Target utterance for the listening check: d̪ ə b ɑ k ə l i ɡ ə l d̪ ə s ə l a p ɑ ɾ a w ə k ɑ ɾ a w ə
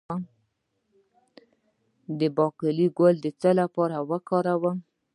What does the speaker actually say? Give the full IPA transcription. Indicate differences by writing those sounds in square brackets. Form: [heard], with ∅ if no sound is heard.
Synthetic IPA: d̪ ə b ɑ k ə l i ɡ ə l d̪ ə [t͡s] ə l a p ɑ ɾ a w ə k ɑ ɾ a w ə